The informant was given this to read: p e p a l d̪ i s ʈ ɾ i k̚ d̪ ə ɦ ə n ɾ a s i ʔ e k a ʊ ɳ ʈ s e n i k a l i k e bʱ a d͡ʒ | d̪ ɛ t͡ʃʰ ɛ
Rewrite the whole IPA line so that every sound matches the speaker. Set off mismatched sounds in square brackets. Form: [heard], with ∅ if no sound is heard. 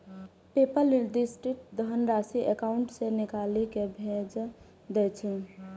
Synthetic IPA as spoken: p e p [ə] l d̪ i s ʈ ɾ i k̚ d̪ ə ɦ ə n ɾ a s i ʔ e k a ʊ ɳ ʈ s e n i k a l i k e bʱ [e] d͡ʒ | d̪ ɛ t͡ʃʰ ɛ